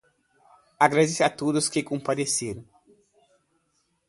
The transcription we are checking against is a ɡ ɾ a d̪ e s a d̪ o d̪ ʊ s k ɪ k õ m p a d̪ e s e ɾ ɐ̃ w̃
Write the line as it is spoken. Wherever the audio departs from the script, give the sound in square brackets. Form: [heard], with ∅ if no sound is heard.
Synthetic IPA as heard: a ɡ ɾ a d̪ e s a [t̪] o d̪ ʊ s k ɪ k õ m p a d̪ e s e ɾ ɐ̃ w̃